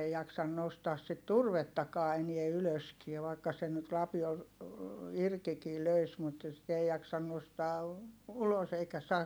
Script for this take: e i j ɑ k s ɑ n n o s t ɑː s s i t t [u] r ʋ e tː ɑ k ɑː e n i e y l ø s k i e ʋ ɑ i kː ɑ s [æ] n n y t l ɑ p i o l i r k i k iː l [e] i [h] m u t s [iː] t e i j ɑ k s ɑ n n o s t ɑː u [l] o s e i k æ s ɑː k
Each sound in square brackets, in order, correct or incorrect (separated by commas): correct, incorrect, incorrect, incorrect, incorrect, correct